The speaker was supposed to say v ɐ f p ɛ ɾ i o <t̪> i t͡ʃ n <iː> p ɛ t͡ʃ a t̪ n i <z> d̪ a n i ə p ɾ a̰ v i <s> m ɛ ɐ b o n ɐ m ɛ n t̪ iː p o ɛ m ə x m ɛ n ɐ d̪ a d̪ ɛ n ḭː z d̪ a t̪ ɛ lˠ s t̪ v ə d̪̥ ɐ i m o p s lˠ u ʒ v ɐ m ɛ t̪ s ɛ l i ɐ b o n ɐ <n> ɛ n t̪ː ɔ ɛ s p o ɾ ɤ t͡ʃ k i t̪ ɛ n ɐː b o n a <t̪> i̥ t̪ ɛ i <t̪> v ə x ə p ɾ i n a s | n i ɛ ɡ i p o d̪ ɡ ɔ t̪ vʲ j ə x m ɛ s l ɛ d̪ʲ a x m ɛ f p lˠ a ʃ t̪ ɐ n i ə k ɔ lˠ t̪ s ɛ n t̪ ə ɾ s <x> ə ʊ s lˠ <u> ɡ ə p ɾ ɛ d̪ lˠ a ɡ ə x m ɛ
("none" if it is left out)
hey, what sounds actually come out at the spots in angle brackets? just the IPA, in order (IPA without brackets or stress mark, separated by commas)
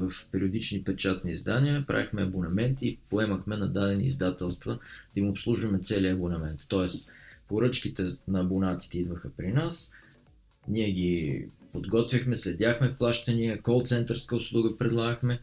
d̪, i, z, x, m, t̪, d̪, k, u